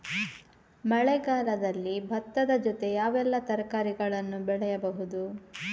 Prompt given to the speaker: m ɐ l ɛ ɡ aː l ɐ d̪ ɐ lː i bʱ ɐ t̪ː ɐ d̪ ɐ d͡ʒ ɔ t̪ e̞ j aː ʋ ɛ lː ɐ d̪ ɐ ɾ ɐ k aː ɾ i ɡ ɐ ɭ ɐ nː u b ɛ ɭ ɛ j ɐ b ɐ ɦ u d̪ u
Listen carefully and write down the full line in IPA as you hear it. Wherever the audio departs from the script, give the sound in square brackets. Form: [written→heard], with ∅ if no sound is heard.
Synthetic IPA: m ɐ [l→ɭ] ɛ ɡ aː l ɐ d̪ ɐ lː i bʱ ɐ t̪ː ɐ d̪ ɐ d͡ʒ ɔ t̪ e̞ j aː ʋ ɛ lː ɐ [d̪→t̪] ɐ ɾ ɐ k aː ɾ i ɡ ɐ ɭ ɐ nː u b ɛ ɭ ɛ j ɐ b ɐ ɦ u d̪ u